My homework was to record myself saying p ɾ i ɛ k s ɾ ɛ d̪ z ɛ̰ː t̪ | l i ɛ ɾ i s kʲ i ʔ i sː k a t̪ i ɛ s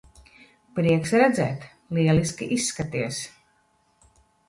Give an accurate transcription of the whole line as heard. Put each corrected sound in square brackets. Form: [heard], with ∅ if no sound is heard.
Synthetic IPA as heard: p ɾ i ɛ k s ɾ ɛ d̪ z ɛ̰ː t̪ | l i ɛ [l] i s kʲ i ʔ i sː k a t̪ i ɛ s